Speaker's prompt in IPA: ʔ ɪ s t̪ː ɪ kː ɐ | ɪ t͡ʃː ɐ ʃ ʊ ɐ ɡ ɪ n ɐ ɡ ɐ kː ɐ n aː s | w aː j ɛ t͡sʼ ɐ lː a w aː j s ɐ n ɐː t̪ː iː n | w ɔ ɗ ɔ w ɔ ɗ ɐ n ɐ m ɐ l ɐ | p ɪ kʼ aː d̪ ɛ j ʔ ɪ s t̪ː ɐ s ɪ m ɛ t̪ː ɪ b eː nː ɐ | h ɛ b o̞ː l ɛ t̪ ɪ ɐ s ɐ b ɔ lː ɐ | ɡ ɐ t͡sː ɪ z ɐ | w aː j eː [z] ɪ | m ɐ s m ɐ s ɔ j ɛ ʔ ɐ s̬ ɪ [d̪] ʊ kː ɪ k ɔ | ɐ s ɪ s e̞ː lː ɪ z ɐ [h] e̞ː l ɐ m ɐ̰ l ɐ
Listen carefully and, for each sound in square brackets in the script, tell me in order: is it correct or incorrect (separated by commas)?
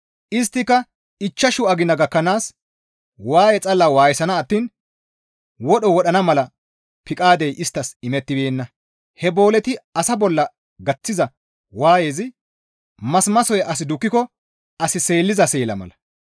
correct, correct, incorrect